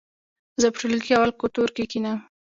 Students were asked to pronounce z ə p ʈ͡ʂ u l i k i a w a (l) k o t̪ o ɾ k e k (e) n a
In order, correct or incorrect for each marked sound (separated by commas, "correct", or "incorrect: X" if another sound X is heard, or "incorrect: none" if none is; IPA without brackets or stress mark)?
correct, incorrect: i